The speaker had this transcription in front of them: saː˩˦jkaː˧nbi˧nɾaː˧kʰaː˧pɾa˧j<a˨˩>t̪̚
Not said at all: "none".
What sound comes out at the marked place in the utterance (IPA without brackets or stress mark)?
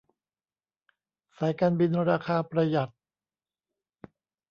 a˨˩